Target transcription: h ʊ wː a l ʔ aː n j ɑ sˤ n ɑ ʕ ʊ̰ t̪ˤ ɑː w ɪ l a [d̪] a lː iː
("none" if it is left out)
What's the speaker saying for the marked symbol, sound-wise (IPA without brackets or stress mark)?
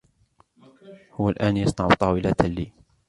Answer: t̪